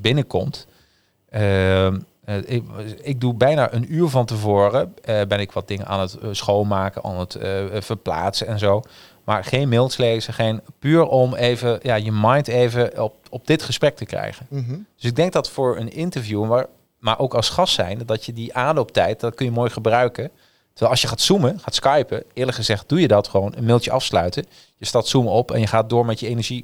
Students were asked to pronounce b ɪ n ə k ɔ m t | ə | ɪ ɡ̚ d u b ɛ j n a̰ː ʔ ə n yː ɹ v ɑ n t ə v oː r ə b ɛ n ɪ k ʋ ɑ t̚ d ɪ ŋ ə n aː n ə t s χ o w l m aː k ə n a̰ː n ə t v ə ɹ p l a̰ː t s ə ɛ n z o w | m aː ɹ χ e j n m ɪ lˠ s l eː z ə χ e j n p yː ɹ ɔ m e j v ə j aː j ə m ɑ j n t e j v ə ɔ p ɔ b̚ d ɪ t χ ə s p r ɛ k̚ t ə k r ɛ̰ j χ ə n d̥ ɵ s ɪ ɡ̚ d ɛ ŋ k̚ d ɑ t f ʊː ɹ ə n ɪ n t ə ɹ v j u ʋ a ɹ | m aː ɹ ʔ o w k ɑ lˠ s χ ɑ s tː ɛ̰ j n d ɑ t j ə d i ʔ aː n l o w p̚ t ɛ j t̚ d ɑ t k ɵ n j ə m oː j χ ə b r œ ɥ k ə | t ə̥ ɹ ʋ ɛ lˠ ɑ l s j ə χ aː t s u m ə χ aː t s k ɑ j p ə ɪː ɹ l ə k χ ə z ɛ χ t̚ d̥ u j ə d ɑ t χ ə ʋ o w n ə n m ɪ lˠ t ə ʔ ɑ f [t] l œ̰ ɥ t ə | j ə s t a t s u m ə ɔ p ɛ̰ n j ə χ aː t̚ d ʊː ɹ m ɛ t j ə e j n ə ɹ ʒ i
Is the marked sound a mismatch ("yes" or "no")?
yes